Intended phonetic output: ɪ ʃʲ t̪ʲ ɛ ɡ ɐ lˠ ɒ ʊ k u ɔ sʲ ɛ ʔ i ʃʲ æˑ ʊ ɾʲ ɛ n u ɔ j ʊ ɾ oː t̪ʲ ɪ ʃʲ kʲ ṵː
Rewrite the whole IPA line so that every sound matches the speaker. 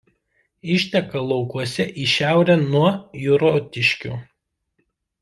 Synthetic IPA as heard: ɪ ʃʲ t̪ʲ ɛ k ɐ lˠ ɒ ʊ k u ɔ sʲ ɛ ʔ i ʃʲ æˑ ʊ ɾʲ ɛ n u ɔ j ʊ ɾ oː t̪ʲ ɪ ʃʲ kʲ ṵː